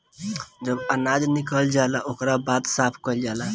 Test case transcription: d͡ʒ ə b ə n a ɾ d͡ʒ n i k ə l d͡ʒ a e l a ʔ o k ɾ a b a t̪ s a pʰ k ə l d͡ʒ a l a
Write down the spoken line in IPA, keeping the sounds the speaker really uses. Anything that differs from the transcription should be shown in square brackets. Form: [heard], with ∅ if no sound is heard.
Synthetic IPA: d͡ʒ ə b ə n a [∅] d͡ʒ n i k ə l d͡ʒ a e l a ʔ o k ɾ a b a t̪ s a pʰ k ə l d͡ʒ a l a